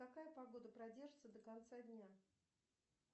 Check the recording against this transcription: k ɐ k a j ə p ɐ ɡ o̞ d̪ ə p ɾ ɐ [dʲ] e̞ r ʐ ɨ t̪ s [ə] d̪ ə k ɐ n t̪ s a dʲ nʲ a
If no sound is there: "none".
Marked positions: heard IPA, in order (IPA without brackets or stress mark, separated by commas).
dʲ, ə